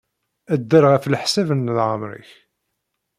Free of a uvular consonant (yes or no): no